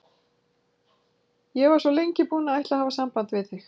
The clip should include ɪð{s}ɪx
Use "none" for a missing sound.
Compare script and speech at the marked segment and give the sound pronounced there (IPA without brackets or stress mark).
θ